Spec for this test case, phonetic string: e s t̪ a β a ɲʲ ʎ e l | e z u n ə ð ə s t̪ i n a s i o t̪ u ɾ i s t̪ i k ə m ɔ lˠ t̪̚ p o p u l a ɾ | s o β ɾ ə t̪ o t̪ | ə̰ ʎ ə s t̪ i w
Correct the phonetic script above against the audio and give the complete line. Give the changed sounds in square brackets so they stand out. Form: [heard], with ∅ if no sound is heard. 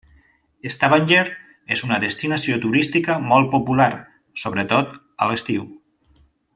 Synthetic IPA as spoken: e s t̪ a β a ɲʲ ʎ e [ɾ] | e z u n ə ð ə s t̪ i n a s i o t̪ u ɾ i s t̪ i k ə m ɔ lˠ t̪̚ p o p u l a ɾ | s o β ɾ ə t̪ o t̪ | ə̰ [l] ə s t̪ i w